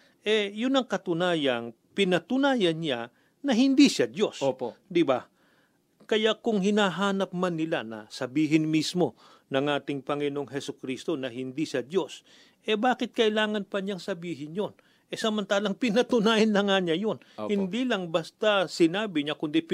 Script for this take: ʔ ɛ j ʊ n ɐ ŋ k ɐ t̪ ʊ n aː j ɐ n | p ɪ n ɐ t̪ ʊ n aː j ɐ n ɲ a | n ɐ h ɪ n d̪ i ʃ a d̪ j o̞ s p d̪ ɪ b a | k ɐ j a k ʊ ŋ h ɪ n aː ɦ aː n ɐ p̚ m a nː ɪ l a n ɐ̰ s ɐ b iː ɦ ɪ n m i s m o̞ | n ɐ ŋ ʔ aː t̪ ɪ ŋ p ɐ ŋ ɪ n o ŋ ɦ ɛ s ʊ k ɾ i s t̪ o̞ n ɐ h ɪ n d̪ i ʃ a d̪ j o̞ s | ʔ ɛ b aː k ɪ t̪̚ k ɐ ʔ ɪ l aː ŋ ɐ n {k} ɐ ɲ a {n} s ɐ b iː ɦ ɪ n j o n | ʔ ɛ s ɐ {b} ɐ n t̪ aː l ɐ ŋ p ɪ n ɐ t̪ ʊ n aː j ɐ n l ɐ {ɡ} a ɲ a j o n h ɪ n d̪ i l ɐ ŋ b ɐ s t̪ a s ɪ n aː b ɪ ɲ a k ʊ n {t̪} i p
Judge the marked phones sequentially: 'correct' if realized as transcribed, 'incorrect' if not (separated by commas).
incorrect, incorrect, incorrect, incorrect, incorrect